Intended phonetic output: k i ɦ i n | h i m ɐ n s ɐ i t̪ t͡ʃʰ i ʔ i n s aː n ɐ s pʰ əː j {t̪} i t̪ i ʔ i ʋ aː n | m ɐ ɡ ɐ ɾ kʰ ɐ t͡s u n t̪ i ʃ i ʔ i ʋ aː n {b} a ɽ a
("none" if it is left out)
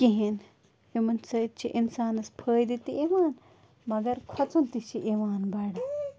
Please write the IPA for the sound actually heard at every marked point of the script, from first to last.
d̪, b

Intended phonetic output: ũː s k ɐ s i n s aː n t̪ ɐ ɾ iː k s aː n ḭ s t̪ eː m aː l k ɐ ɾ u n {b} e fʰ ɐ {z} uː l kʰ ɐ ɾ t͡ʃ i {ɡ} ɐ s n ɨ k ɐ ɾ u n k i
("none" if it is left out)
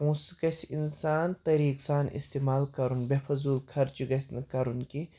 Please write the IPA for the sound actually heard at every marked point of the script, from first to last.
b, z, ɡ

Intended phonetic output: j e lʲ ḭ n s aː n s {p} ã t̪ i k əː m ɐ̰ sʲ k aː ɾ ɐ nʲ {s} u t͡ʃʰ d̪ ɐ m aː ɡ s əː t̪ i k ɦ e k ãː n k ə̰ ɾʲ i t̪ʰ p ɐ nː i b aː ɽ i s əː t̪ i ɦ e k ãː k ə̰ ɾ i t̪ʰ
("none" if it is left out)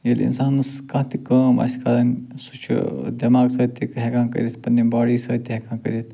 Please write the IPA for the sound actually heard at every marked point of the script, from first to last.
k, s

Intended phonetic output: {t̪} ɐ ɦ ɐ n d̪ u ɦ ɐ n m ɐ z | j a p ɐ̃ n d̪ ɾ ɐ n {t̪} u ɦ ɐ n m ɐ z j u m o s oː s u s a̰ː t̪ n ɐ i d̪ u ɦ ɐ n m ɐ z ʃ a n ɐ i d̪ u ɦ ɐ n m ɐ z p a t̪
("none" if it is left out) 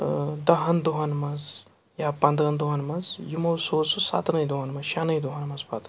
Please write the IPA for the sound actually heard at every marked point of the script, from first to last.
d̪, d̪

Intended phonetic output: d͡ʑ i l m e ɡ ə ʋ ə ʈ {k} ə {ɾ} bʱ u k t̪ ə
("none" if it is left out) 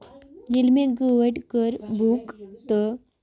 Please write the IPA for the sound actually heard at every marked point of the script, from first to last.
k, ɾ

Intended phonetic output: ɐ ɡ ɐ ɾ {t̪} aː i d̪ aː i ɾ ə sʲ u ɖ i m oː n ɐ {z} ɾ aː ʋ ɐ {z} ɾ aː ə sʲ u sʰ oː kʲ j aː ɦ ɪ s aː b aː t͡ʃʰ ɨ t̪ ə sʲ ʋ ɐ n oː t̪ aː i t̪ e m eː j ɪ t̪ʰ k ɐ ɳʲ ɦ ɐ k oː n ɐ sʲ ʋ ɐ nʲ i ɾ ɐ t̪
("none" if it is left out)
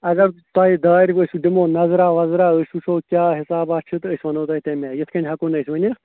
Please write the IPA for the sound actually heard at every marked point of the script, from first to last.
t̪, z, z

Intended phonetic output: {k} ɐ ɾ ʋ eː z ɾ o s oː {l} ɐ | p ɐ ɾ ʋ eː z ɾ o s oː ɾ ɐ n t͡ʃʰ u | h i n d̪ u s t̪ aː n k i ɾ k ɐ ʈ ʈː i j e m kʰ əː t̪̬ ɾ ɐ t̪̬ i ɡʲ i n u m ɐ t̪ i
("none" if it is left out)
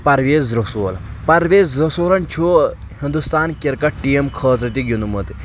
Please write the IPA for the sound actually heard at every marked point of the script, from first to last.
p, l

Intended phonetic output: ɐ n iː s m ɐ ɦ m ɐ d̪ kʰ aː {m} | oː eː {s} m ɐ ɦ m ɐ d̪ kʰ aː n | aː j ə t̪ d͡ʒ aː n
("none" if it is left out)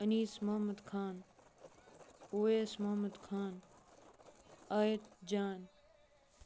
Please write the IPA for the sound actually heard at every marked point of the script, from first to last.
n, s

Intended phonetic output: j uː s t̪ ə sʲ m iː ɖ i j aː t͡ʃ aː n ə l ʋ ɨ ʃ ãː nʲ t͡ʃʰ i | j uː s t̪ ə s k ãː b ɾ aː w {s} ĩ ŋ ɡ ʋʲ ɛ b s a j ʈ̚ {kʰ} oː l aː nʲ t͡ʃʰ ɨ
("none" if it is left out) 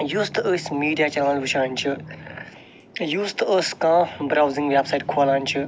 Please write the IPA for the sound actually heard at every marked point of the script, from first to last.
z, kʰ

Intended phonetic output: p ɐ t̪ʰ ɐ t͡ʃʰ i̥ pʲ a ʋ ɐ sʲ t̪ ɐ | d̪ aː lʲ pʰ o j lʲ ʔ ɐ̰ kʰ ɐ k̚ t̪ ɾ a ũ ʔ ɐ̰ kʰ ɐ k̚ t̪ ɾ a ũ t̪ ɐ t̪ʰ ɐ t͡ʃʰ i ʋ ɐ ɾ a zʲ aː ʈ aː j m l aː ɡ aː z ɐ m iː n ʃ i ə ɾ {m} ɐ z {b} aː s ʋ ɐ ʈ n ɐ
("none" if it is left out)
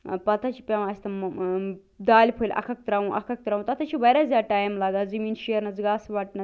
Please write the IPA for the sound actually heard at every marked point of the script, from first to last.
n, ɡ

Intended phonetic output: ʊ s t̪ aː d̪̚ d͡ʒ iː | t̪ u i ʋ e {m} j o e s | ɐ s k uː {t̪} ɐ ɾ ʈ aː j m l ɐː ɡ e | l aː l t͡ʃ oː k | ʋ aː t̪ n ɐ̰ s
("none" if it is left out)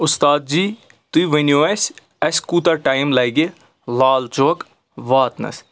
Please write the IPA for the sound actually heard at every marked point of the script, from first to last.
n, t̪

